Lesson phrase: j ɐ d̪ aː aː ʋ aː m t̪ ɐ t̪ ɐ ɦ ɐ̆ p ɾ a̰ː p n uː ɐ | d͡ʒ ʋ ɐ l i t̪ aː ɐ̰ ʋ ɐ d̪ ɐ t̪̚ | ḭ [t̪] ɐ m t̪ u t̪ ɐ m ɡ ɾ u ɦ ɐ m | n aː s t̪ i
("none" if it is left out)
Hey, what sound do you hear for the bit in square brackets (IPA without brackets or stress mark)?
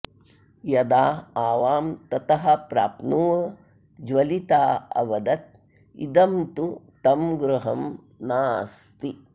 d̪